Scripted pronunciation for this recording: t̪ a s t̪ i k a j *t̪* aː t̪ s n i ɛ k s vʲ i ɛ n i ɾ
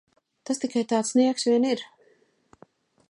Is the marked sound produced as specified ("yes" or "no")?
yes